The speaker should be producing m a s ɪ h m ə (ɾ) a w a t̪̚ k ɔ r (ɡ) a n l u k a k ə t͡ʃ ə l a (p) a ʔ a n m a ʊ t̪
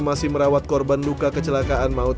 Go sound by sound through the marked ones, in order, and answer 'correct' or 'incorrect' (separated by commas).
correct, incorrect, incorrect